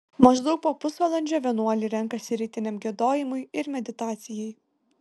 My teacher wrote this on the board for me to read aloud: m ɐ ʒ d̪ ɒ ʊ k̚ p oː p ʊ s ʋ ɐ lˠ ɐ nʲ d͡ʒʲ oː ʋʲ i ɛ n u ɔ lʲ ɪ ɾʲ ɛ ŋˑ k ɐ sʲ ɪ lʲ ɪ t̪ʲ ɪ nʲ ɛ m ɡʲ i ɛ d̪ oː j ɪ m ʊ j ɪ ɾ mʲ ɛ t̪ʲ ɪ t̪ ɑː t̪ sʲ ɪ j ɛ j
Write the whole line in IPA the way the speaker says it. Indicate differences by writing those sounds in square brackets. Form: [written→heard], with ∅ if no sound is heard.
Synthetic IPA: m ɐ ʒ d̪ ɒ ʊ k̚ p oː p ʊ s ʋ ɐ lˠ ɐ nʲ d͡ʒʲ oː ʋʲ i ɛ n u ɔ lʲ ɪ ɾʲ ɛ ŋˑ k ɐ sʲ ɪ [lʲ→ɾʲ] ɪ t̪ʲ ɪ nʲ ɛ m ɡʲ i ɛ d̪ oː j ɪ m ʊ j ɪ ɾ mʲ ɛ [t̪ʲ→d̪ʲ] ɪ t̪ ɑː t̪ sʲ ɪ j ɛ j